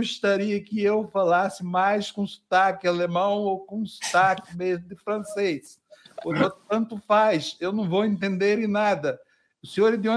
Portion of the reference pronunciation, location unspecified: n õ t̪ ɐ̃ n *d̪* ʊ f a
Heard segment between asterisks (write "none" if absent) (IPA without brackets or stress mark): t̪